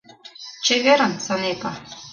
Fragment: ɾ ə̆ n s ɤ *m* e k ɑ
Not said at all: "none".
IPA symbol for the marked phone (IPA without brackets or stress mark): n